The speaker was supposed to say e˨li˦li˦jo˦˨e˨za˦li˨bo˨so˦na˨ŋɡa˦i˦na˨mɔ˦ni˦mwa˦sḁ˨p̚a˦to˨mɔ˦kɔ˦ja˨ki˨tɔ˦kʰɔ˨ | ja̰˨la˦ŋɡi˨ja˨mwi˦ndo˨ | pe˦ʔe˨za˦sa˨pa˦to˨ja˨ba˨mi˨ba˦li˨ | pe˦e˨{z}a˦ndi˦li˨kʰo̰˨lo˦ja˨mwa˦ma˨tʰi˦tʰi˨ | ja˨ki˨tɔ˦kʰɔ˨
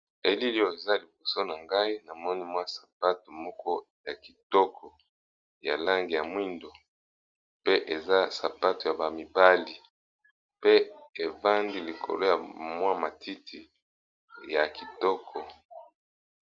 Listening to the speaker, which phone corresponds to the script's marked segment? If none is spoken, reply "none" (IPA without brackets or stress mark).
v